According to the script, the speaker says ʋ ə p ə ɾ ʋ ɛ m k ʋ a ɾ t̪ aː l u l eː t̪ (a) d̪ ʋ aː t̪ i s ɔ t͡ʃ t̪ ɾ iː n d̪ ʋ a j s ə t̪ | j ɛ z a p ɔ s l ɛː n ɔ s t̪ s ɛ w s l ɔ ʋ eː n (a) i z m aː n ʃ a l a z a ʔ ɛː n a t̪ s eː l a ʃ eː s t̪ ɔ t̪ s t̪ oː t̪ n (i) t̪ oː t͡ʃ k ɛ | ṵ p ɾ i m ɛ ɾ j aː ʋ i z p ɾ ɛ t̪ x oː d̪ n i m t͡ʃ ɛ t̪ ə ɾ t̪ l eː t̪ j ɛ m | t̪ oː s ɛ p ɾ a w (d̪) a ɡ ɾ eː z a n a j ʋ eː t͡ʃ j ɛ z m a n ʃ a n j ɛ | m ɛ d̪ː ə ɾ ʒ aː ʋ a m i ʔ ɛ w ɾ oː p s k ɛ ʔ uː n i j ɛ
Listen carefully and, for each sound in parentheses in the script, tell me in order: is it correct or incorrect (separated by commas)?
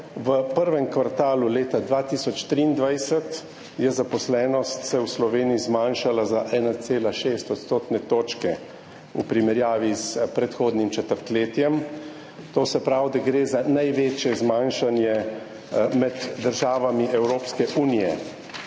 correct, incorrect, incorrect, correct